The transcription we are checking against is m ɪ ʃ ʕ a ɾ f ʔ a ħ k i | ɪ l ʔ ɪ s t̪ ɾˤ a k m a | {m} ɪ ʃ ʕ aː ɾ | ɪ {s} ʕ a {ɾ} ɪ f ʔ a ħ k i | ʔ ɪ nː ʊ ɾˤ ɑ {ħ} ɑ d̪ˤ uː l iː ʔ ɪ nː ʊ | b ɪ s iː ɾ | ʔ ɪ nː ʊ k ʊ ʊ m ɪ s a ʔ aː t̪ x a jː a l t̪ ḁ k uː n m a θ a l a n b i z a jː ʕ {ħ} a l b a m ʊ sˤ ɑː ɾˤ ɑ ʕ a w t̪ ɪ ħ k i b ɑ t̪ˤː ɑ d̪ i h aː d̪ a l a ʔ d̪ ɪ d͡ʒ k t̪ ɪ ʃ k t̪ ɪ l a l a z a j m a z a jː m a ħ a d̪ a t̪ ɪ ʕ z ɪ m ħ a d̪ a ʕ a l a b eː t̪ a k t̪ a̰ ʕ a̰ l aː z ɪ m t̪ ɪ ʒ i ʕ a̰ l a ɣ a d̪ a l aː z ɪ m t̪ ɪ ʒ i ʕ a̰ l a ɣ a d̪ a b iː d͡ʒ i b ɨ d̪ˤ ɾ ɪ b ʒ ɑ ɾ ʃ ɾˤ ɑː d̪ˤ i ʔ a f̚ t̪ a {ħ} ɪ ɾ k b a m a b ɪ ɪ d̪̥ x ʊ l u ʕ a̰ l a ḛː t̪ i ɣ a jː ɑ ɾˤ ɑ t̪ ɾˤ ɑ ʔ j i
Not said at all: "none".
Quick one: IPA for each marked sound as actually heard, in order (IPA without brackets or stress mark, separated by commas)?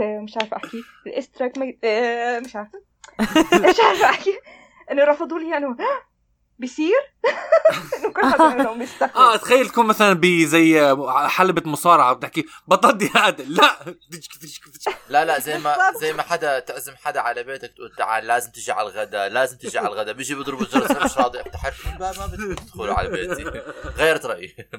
m, ʃ, ɾ, f, ħ, ħ